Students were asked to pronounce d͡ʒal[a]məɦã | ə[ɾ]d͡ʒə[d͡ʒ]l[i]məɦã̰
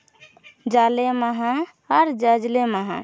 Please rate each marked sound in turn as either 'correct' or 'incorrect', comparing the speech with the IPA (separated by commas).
incorrect, correct, correct, incorrect